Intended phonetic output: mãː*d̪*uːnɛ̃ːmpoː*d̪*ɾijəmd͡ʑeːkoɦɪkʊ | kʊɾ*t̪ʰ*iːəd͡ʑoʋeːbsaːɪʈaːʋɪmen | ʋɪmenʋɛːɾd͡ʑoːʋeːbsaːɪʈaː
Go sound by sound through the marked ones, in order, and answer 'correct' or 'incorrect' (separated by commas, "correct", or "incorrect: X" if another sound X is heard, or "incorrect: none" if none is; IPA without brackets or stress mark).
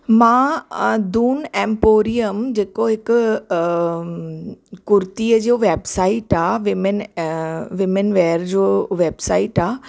correct, incorrect: none, incorrect: t̪